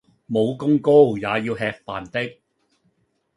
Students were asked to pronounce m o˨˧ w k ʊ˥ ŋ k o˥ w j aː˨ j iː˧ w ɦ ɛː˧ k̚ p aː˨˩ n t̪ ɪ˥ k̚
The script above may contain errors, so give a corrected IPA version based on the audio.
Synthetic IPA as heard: m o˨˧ w k ʊ˥ ŋ k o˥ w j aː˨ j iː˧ w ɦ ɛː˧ k̚ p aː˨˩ n t̪ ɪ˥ k̚